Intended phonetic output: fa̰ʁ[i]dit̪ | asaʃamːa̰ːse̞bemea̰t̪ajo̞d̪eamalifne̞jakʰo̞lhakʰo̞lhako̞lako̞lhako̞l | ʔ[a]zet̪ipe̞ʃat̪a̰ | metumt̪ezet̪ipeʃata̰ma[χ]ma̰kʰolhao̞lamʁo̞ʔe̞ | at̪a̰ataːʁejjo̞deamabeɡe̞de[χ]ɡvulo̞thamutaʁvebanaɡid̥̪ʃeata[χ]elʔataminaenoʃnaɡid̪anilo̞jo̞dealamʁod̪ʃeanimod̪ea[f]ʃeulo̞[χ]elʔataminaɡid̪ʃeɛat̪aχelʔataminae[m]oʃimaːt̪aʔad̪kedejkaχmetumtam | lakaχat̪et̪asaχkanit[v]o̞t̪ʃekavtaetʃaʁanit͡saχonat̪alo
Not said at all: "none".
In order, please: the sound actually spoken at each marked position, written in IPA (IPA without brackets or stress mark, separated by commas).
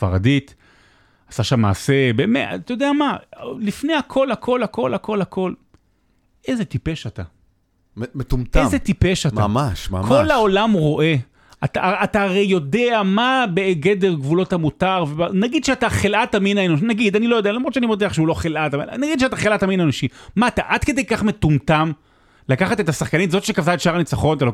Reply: a, e, ʃ, ʁ, χ, χ, χ, n, z